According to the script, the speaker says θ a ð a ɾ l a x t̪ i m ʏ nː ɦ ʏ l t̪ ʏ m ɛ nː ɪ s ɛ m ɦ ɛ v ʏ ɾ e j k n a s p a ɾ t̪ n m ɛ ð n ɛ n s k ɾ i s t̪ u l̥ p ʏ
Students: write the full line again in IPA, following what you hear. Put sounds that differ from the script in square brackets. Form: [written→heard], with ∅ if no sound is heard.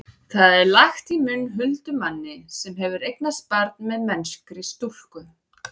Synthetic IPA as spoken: θ a ð [a→ɛ] ɾ l a x t̪ i m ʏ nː ɦ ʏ l t̪ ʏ m [ɛ→a] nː ɪ s ɛ m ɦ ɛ v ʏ ɾ e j k n a s p a ɾ t̪ n m ɛ ð [n→m] ɛ n s k ɾ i s t̪ u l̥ [p→k] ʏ